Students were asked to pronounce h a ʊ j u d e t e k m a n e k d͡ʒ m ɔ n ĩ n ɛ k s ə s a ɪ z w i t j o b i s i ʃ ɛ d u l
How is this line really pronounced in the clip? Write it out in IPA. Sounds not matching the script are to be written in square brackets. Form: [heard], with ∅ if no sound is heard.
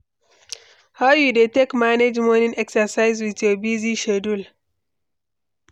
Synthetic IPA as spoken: h a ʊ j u d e t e k m a n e [∅] d͡ʒ m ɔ n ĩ n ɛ k s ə s a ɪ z w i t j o b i [z] i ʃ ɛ d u l